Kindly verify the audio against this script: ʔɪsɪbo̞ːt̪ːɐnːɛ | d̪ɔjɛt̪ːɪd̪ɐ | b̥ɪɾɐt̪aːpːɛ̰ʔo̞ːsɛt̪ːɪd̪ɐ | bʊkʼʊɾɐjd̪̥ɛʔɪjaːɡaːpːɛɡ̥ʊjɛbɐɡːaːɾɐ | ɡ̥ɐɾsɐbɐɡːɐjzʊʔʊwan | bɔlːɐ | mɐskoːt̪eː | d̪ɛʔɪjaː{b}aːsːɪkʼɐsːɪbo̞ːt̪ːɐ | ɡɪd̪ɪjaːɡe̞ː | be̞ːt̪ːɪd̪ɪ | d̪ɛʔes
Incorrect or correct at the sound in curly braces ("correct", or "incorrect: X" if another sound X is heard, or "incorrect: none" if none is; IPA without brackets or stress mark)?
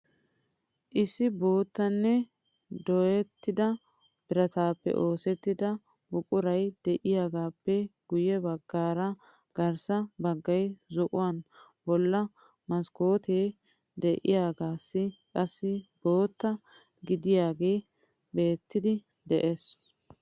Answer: incorrect: ɡ